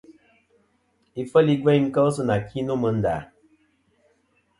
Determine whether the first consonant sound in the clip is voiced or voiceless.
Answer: voiceless